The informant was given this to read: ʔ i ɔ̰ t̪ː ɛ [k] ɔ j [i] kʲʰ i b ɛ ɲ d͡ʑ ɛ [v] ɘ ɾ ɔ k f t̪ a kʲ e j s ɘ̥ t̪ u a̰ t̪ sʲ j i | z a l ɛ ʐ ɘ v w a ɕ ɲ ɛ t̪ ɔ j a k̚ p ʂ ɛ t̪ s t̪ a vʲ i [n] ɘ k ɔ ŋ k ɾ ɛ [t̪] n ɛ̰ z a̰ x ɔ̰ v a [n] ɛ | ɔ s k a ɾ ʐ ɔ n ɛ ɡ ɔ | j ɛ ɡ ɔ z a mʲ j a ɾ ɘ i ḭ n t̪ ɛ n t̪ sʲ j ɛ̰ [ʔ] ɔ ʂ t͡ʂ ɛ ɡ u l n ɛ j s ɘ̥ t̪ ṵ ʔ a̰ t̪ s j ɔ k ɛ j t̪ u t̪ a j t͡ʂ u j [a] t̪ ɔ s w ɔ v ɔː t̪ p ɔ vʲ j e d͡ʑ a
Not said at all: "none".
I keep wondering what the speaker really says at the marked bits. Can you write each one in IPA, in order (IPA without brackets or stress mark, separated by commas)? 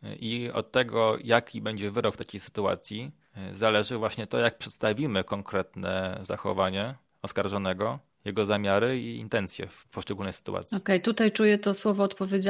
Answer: ɡ, a, v, m, t̪, ɲ, p, ɛ